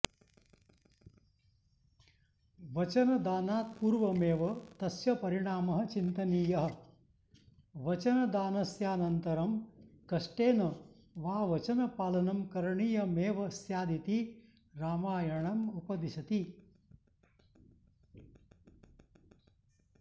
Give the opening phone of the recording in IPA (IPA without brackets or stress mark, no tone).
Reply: ʋ